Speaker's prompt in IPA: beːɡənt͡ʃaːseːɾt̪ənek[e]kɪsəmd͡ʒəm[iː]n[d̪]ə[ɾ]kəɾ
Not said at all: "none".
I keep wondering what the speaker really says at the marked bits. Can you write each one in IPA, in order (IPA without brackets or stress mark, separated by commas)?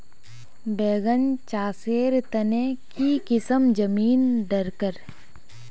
i, iː, d̪, ɾ